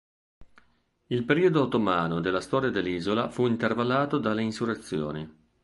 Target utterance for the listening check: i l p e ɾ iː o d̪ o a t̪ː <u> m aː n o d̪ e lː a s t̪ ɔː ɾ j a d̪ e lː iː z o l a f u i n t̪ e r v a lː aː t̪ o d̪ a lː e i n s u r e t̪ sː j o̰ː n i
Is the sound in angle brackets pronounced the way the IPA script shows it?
no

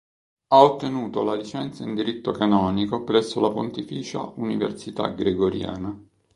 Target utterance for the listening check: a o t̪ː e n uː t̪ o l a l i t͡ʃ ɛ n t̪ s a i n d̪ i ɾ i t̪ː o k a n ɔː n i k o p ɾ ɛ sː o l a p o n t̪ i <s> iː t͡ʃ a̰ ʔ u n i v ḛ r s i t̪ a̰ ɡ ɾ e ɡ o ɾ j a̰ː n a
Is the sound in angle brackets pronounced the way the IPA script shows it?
no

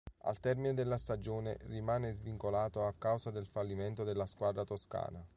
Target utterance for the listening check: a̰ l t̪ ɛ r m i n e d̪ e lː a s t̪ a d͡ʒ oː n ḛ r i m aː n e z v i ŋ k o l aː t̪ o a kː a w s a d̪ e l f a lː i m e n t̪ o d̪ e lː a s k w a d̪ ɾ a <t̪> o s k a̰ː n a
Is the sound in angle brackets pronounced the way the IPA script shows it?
yes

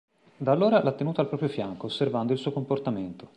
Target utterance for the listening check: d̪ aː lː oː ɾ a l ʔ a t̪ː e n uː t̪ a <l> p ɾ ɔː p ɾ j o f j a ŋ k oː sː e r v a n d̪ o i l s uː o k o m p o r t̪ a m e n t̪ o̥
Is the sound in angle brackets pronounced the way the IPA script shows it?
yes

